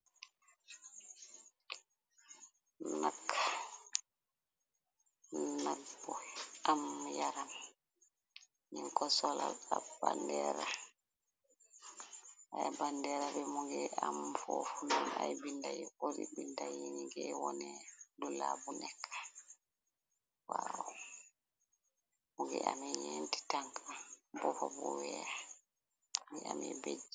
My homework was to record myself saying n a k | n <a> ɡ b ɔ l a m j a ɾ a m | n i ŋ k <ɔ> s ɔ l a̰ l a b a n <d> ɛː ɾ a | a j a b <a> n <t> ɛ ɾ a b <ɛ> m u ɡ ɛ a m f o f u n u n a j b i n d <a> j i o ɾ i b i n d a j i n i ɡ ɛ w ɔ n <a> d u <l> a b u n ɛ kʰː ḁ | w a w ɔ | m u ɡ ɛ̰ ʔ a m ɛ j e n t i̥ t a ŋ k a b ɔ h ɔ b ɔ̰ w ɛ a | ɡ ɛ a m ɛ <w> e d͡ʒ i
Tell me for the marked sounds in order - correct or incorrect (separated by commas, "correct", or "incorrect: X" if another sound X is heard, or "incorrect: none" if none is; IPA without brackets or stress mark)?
correct, correct, correct, correct, incorrect: d, correct, correct, incorrect: ɛ, correct, incorrect: b